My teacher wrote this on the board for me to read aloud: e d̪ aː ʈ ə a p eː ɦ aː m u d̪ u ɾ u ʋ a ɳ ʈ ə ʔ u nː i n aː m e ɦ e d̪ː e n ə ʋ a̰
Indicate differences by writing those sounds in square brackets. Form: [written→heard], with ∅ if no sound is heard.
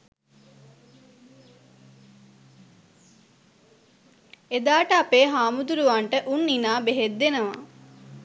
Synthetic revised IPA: e d̪ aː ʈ ə a p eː ɦ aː m u d̪ u ɾ u ʋ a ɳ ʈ ə ʔ u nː i n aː [m→b] e ɦ e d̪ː e n ə ʋ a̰

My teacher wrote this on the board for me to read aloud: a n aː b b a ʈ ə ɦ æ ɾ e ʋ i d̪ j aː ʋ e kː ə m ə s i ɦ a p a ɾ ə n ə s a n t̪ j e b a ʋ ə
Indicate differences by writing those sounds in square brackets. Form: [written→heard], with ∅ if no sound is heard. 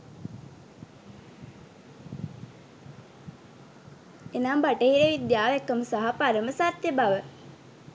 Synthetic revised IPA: [a→e] n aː [b→m] b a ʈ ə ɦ [æ→i] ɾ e ʋ i d̪ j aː ʋ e kː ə m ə s [i→a] ɦ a p a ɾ ə [n→m] ə s a [n→∅] t̪ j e b a ʋ ə

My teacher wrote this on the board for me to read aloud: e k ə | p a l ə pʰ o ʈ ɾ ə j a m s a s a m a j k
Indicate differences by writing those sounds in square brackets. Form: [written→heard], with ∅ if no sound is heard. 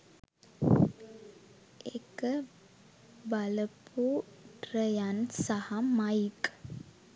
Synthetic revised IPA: e k ə | [p→b] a l ə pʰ [o→u] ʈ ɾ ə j a [m→n] s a [s→h] a m a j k

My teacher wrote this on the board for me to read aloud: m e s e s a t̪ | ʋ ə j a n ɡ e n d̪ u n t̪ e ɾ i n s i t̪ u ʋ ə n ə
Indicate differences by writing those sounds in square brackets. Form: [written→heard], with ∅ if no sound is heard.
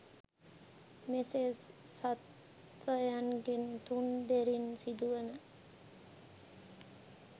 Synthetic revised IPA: m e s e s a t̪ | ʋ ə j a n ɡ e n [d̪→t̪] u n [t̪→d̪] e ɾ i n s i [t̪→d̪] u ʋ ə n ə

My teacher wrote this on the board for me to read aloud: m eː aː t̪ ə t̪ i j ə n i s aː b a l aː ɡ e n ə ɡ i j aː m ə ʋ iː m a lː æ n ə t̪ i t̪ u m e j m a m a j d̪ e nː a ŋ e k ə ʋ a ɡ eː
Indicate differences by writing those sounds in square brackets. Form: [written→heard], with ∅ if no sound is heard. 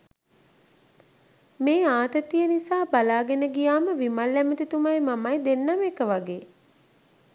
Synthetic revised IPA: m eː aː t̪ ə t̪ i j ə n i s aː b a l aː ɡ e n ə ɡ i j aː m ə ʋ [iː→i] m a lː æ [n→m] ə t̪ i t̪ u m [e→a] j m a m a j d̪ e nː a [ŋ→m] e k ə ʋ a ɡ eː

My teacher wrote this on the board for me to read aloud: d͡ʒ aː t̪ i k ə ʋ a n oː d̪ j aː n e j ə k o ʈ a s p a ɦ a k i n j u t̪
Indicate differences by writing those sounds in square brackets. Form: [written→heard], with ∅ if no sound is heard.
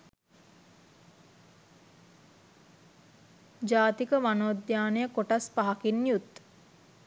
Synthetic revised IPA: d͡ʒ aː t̪ i k ə ʋ a n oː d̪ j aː n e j ə k o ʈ a s p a ɦ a k i n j u t̪

